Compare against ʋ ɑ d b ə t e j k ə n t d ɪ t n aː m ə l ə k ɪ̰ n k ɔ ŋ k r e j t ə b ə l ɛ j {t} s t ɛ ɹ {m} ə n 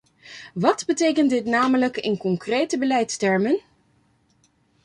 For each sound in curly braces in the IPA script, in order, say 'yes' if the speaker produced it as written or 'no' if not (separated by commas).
yes, yes